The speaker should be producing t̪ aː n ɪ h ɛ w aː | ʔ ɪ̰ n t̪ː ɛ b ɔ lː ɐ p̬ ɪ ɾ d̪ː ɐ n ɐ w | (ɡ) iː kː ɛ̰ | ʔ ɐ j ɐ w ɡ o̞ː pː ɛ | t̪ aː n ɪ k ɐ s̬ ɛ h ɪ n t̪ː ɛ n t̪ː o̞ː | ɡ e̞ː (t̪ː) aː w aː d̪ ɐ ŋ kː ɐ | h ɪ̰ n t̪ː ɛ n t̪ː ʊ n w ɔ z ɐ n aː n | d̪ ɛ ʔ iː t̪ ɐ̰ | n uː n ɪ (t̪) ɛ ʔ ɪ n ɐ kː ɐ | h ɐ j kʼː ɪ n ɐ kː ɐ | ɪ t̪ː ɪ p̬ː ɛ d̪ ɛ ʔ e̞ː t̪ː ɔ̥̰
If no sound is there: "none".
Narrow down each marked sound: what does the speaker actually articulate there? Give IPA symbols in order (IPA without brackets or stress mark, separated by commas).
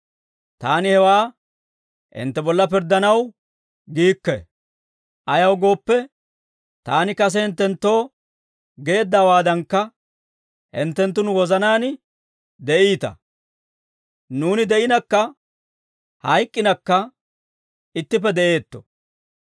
ɡ, d̪ː, d̪